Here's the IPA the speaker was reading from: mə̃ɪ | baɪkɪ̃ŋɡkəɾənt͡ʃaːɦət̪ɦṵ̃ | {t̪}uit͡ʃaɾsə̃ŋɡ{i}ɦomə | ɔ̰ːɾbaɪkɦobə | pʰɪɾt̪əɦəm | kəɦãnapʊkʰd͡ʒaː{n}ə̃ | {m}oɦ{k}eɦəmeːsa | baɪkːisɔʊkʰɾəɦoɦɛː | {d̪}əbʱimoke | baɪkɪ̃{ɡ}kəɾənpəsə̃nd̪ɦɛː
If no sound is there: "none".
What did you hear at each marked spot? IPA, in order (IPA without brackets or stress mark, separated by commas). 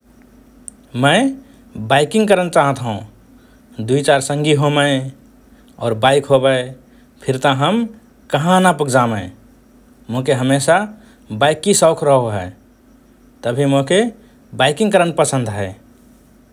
d̪, i, m, m, k, t̪, ŋ